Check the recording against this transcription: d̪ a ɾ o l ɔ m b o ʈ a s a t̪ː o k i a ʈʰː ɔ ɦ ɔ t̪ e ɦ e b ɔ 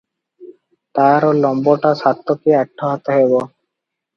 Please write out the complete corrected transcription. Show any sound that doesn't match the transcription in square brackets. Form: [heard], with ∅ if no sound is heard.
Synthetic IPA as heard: [t̪] a ɾ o l ɔ m b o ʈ a s a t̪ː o k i a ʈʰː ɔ ɦ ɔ t̪ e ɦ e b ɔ